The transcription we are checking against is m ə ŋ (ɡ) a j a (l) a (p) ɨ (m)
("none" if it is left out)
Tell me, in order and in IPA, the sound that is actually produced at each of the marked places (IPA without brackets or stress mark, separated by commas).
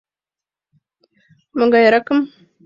ɡ, ɾ, k, m